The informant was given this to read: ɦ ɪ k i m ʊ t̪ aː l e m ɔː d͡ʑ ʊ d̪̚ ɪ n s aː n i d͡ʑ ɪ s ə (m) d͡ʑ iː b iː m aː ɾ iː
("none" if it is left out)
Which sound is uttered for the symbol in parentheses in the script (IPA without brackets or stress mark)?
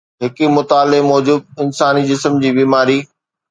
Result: m